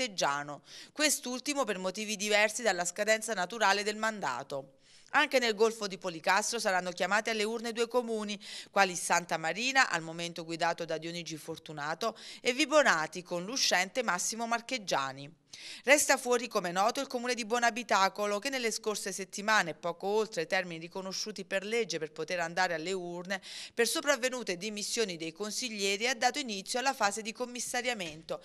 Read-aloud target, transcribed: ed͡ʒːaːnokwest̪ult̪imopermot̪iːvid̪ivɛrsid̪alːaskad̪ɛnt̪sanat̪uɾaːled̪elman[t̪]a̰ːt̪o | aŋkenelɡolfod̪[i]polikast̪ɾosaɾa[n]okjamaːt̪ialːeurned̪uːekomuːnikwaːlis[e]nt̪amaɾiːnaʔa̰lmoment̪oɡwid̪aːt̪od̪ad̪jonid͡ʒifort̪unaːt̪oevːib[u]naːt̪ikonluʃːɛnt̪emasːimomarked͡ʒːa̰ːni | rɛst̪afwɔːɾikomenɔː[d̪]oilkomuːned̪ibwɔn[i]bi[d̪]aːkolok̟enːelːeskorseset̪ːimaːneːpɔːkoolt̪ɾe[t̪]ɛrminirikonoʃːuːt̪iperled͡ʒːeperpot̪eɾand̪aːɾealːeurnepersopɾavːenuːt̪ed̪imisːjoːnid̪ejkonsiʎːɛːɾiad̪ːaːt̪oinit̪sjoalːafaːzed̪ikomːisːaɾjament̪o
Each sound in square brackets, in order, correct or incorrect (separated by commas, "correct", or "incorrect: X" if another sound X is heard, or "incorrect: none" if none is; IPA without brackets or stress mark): incorrect: d̪, correct, incorrect: nː, incorrect: a, incorrect: o, incorrect: t̪, incorrect: a, incorrect: t̪, correct